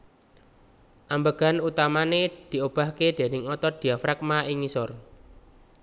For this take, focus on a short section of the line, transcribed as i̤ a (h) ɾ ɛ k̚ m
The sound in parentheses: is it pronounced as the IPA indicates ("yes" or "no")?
no